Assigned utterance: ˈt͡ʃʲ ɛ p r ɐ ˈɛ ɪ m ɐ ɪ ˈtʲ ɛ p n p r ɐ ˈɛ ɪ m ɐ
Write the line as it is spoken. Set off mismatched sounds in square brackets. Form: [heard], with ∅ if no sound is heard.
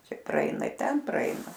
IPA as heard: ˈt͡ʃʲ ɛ p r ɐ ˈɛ ɪ [n] ɐ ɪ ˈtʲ ɛ [∅] n p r ɐ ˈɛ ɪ [n] ɐ